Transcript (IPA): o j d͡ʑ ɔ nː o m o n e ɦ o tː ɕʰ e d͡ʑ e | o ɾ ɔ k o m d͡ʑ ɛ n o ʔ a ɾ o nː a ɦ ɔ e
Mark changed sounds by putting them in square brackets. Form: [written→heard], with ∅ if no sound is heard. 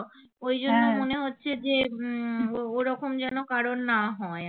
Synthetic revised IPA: o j d͡ʑ [ɔ→o] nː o m o n e ɦ o tː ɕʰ e d͡ʑ e | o ɾ ɔ k o m d͡ʑ ɛ n o [ʔ→k] a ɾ o nː a ɦ ɔ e